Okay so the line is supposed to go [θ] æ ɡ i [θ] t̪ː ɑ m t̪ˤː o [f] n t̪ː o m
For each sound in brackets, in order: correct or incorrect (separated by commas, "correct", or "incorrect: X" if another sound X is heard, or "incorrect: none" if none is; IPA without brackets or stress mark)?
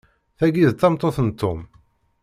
correct, incorrect: ð, incorrect: θ